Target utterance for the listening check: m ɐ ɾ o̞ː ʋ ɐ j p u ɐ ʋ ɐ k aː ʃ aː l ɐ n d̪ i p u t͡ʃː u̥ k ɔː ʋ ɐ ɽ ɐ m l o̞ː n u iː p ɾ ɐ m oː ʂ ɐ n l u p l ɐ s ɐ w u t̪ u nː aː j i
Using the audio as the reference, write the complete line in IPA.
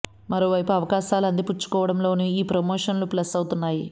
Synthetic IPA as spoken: m ɐ ɾ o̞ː ʋ ɐ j p u ɐ ʋ ɐ k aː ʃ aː l ɐ n d̪ i p u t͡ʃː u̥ k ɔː ʋ ɐ ɽ ɐ m l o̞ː n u iː p ɾ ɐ m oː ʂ ɐ n l u p l ɐ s ɐ w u t̪ u nː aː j i